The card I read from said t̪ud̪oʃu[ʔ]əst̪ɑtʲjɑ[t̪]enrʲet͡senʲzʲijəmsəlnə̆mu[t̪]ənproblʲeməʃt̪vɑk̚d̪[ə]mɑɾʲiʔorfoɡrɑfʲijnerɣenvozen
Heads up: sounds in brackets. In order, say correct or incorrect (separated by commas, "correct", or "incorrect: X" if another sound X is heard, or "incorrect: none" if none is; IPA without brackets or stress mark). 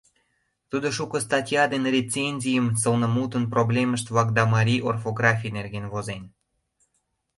incorrect: k, incorrect: d̪, correct, incorrect: ɑ